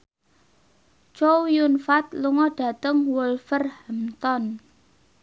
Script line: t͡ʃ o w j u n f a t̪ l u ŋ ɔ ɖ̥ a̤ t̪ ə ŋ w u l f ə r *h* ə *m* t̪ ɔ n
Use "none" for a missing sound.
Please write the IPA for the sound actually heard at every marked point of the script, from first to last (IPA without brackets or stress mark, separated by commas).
h, m